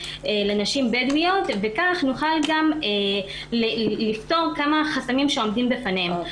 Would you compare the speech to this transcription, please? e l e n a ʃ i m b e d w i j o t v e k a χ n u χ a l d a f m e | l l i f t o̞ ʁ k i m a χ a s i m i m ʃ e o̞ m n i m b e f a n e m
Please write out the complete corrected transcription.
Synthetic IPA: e l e n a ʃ i m b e d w i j o t v e k a χ n u χ a l ɡ a m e | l l i f t o̞ ʁ k a m a χ a s a m i m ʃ e o̞ m d i m b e f a n e m